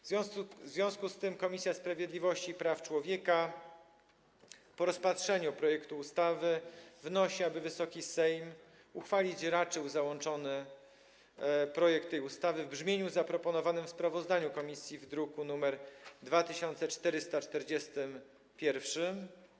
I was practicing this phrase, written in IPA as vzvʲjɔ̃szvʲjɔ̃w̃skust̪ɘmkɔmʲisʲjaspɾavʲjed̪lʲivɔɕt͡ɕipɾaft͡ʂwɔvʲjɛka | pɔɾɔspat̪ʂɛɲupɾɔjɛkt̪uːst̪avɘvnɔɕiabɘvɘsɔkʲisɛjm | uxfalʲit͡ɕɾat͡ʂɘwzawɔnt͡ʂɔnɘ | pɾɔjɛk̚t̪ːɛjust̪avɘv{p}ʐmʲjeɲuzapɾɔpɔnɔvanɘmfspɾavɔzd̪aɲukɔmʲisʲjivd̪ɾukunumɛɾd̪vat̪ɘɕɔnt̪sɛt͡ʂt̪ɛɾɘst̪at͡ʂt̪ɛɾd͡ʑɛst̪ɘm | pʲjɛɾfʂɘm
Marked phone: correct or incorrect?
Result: incorrect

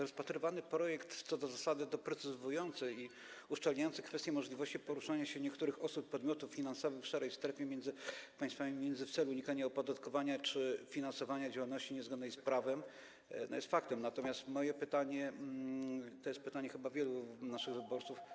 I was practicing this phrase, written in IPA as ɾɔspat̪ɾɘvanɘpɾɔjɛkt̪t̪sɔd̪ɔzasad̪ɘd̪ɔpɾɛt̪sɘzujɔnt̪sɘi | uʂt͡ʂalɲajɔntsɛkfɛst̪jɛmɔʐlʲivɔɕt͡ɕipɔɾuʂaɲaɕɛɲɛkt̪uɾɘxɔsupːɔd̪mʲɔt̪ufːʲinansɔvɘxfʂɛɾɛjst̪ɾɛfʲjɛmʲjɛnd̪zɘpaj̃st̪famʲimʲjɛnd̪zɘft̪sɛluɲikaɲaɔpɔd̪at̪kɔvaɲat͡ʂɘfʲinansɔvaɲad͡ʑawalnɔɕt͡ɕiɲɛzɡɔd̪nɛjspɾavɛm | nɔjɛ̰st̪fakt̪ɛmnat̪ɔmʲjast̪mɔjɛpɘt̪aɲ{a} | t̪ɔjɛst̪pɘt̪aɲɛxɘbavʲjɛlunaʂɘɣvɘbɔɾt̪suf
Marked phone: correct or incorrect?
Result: incorrect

